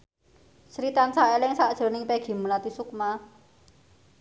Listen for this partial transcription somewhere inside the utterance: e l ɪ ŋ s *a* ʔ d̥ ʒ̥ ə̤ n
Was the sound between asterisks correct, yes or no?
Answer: yes